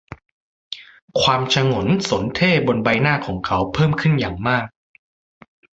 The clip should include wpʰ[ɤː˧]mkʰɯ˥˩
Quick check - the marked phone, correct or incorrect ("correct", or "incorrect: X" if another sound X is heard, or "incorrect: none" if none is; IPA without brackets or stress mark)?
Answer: incorrect: ɤː˥˩